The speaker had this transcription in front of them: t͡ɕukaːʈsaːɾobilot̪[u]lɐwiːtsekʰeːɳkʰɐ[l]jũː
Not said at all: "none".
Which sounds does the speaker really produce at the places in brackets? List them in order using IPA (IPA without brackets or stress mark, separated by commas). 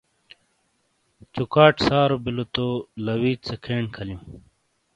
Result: o, l